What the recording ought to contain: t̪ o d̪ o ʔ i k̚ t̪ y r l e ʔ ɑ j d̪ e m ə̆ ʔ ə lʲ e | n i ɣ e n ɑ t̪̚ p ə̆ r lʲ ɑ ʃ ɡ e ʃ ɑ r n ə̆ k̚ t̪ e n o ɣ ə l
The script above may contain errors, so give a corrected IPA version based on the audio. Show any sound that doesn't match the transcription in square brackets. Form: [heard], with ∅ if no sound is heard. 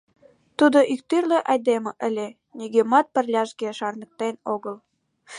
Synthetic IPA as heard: t̪ [u] d̪ o ʔ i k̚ t̪ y r l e ʔ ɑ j d̪ e m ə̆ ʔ ə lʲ e | n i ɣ e [m] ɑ t̪̚ p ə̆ r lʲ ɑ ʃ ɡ e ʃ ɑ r n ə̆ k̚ t̪ e n o ɣ ə l